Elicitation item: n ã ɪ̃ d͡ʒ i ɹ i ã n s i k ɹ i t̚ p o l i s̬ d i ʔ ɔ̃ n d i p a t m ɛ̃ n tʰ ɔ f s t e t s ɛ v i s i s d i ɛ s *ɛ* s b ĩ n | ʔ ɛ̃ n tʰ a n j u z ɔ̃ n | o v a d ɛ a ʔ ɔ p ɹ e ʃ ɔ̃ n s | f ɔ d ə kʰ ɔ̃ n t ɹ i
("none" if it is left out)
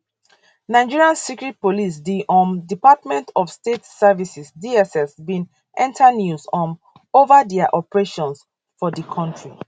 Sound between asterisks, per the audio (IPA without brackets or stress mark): ɛ